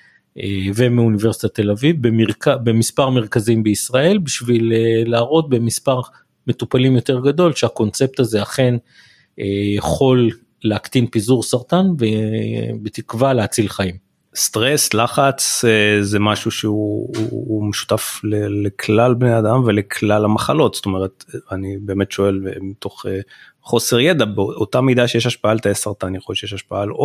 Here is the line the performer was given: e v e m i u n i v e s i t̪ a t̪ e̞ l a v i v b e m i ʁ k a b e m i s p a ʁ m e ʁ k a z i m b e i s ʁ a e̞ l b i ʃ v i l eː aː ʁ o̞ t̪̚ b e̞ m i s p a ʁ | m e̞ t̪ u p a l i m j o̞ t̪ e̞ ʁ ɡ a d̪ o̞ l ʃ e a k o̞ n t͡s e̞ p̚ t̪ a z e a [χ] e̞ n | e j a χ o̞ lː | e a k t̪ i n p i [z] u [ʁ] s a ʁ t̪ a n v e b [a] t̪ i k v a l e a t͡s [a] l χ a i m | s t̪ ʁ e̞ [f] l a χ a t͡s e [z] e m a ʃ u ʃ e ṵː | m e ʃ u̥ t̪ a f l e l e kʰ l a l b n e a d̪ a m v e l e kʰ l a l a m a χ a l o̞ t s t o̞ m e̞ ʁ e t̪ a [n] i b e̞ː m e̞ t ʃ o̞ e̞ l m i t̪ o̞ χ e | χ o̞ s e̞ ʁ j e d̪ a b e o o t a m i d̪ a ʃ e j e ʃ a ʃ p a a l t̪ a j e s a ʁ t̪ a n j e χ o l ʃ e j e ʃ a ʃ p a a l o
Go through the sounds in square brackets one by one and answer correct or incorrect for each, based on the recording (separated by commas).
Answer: correct, correct, correct, incorrect, incorrect, incorrect, correct, correct